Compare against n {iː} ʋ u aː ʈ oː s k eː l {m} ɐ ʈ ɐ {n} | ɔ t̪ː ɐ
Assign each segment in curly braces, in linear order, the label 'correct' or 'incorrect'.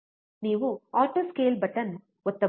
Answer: correct, incorrect, correct

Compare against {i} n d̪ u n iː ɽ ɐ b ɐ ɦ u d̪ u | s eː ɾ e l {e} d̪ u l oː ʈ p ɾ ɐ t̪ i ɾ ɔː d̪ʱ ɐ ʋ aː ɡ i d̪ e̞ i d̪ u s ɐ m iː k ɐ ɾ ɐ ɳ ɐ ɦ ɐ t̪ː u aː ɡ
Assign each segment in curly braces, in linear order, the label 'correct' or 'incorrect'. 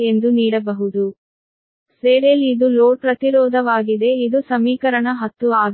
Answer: incorrect, incorrect

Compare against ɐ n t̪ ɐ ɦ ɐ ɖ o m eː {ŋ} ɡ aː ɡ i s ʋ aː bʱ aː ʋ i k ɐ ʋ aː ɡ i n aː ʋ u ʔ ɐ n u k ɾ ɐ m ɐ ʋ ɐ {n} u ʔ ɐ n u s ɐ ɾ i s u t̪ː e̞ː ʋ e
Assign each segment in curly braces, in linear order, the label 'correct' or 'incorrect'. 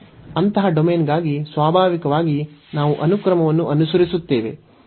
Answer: incorrect, incorrect

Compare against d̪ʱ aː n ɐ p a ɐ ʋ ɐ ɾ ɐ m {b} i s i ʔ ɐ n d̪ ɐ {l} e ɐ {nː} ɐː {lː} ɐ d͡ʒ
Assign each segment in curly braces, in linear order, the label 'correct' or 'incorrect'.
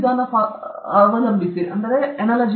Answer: correct, incorrect, incorrect, incorrect

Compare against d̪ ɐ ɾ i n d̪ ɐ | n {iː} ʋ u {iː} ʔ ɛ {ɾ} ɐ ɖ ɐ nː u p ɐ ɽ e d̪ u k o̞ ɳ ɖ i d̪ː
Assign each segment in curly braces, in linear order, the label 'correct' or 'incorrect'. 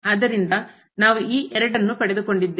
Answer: incorrect, correct, correct

